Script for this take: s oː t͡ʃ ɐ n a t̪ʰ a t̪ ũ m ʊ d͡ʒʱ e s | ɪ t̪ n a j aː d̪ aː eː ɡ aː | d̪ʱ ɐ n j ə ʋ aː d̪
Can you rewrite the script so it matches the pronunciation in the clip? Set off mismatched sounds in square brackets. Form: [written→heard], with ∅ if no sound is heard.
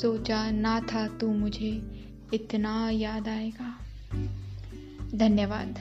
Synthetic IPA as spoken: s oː t͡ʃ [ɐ→a] n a t̪ʰ a t̪ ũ m ʊ d͡ʒʱ e [s→∅] | ɪ t̪ n a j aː d̪ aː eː ɡ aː | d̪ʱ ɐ n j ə ʋ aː d̪